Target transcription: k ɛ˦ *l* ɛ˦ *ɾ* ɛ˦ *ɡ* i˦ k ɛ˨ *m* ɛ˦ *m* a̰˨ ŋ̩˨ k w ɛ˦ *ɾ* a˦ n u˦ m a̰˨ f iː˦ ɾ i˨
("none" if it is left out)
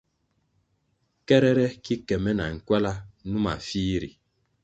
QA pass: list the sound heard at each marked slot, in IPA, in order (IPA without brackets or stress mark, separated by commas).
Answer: ɾ, ɾ, k, m, n, l